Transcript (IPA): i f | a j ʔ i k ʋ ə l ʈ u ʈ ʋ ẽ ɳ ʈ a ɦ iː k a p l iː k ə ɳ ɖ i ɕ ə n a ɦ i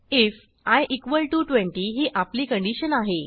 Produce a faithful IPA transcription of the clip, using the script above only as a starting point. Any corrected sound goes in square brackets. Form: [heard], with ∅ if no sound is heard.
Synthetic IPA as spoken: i f | a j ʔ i k ʋ ə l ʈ u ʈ ʋ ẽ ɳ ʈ [i] ɦ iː [ʔ] a p l iː k ə ɳ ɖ i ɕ ə n a ɦ [e]